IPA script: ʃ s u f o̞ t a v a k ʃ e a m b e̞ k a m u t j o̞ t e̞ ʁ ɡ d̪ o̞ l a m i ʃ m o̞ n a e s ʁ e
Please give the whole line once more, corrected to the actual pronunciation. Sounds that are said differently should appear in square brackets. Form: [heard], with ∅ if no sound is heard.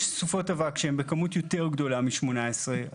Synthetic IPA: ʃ s u f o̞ t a v a k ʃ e [e] m b e̞ k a m u t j o̞ t e̞ ʁ ɡ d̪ o̞ l a m i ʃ m o̞ n a e s ʁ e